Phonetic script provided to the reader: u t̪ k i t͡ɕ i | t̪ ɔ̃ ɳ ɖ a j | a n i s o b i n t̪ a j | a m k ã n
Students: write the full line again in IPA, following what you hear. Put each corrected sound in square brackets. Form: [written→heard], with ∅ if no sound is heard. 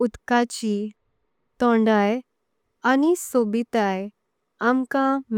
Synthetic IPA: u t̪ k [i→a] t͡ɕ i | t̪ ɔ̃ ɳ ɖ a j | a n i s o b i [n→∅] t̪ a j | a m k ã [n→m]

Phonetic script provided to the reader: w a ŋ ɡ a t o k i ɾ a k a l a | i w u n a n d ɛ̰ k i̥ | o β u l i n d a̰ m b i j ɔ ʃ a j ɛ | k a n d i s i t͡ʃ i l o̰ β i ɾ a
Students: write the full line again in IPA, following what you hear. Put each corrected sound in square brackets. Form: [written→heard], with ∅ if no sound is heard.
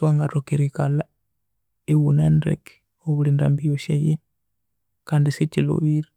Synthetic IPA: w a ŋ ɡ a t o k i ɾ [a→i] k a l a | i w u n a n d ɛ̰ k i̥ | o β u l i n d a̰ m b i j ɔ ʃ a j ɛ | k a n d i s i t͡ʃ i l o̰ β i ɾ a

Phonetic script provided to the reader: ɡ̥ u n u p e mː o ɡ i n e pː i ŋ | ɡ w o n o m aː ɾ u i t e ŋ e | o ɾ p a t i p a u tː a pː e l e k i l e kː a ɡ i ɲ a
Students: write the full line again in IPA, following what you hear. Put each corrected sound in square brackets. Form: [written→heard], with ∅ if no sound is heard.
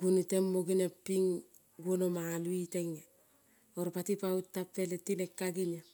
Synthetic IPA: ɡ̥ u n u [p→t] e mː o ɡ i n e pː i ŋ | ɡ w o n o m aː [ɾ→l] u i t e ŋ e | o ɾ p a t i p a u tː a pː e l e [k→t] i l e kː a ɡ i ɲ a

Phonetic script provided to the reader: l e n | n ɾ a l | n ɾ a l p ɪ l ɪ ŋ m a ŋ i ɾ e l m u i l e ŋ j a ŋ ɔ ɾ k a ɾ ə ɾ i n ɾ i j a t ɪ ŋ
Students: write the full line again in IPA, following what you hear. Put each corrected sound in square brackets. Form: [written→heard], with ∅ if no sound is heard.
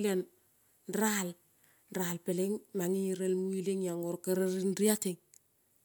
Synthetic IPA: l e n | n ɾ a l | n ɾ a l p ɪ l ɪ ŋ m a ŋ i ɾ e l m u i l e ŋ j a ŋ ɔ ɾ k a ɾ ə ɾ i n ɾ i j a t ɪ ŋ

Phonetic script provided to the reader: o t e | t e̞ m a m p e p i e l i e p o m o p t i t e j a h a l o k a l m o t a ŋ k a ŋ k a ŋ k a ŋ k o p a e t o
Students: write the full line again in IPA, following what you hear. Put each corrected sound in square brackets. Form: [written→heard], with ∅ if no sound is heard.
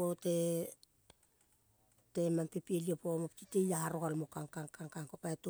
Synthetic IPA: o t e | t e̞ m a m p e p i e l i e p o m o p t i t e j a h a [l→ɾ] o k a l m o [t→k] a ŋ k a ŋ k a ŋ k a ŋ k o p a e t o

